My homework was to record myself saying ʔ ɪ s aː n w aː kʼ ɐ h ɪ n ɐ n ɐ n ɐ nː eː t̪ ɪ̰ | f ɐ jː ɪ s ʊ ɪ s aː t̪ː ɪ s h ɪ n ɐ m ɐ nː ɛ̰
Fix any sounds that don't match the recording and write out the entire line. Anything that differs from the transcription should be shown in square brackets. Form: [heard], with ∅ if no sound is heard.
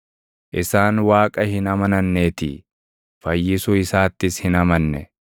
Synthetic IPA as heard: ʔ ɪ s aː n w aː kʼ ɐ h ɪ n ɐ [m] ɐ n ɐ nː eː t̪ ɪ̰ | f ɐ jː ɪ s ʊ ɪ s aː t̪ː ɪ s h ɪ n ɐ m ɐ nː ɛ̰

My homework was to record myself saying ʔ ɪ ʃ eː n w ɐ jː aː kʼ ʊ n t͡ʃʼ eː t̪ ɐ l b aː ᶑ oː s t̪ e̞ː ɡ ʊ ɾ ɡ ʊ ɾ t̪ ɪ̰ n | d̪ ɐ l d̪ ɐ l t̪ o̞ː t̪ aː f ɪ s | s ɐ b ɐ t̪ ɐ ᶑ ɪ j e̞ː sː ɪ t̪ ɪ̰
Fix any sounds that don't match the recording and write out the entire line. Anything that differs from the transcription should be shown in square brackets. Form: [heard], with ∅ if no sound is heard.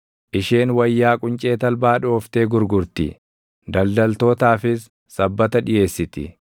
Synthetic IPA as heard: ʔ ɪ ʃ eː n w ɐ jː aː kʼ ʊ n t͡ʃʼ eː t̪ ɐ l b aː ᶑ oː [f] t̪ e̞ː ɡ ʊ ɾ ɡ ʊ ɾ t̪ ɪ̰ [∅] | d̪ ɐ l d̪ ɐ l t̪ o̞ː t̪ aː f ɪ s | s ɐ [bː] ɐ t̪ ɐ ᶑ ɪ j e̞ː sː ɪ t̪ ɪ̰

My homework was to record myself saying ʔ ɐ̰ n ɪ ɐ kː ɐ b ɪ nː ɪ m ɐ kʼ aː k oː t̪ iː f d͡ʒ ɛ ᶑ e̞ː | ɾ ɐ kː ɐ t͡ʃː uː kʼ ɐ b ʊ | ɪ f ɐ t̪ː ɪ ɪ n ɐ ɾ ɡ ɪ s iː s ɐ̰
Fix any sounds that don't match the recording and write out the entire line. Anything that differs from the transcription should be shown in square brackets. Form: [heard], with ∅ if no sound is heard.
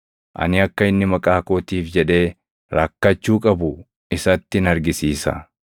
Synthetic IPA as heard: ʔ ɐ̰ n ɪ ɐ kː ɐ [∅] ɪ nː ɪ m ɐ kʼ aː k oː t̪ iː f d͡ʒ ɛ ᶑ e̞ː | ɾ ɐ kː ɐ t͡ʃː uː kʼ ɐ b ʊ | ɪ [s] ɐ t̪ː ɪ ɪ n ɐ ɾ ɡ ɪ s iː s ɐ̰

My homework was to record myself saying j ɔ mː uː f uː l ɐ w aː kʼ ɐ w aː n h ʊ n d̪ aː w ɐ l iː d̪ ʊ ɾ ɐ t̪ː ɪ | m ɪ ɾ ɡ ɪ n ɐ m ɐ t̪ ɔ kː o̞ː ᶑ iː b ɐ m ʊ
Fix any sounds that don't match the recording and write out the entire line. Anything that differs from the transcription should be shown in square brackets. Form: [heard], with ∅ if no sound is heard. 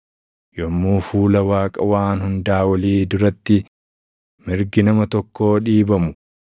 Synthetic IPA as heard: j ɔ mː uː f uː l ɐ w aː kʼ ɐ w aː n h ʊ n d̪ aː w ɐ l iː d̪ ʊ ɾ ɐ t̪ː ɪ | m ɪ ɾ ɡ ɪ n ɐ m ɐ t̪ ɔ kː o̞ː ᶑ iː b ɐ m ʊ

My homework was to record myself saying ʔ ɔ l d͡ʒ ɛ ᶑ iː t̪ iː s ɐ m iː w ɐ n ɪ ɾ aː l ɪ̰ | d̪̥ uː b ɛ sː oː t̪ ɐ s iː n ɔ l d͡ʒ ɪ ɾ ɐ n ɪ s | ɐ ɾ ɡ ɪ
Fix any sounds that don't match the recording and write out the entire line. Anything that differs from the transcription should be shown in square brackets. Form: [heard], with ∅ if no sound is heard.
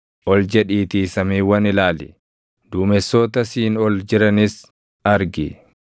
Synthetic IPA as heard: ʔ ɔ l d͡ʒ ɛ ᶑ iː t̪ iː s ɐ m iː w ɐ n ɪ [l] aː l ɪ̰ | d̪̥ uː [m] ɛ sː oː t̪ ɐ s iː n ɔ l d͡ʒ ɪ ɾ ɐ n ɪ s | ɐ ɾ ɡ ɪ

